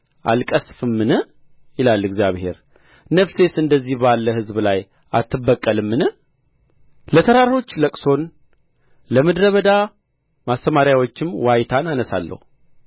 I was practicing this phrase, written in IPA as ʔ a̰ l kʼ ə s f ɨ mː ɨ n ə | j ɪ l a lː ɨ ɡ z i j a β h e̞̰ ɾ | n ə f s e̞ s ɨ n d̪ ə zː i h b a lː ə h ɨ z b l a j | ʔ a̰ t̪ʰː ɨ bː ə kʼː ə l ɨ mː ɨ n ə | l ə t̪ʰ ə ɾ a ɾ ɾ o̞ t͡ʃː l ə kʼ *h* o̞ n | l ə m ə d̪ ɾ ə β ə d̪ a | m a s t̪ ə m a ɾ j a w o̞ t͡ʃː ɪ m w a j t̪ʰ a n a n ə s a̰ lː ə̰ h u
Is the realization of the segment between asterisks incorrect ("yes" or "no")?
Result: yes